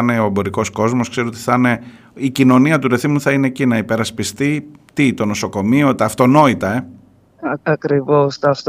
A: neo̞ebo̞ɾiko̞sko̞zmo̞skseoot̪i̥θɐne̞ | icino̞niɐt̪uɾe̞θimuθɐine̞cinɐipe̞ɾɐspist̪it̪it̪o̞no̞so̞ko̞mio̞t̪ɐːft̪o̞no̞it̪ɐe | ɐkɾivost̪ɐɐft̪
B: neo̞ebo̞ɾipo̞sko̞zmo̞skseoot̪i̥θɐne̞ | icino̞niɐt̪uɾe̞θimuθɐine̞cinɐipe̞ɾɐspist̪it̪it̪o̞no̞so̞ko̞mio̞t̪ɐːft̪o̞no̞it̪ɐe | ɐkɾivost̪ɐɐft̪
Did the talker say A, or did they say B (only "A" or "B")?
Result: A